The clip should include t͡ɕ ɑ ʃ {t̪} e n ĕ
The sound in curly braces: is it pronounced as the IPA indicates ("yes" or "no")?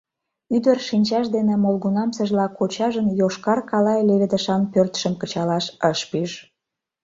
no